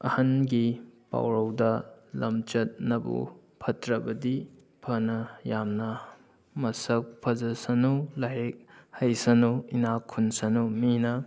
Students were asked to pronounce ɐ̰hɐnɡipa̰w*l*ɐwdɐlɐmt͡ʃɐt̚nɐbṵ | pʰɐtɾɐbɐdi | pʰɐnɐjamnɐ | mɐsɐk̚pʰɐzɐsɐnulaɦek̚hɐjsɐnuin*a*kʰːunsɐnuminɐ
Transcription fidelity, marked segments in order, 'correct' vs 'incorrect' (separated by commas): incorrect, correct